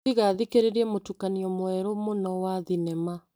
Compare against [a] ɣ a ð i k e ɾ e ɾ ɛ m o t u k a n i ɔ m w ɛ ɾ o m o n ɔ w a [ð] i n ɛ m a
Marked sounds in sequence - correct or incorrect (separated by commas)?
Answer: incorrect, correct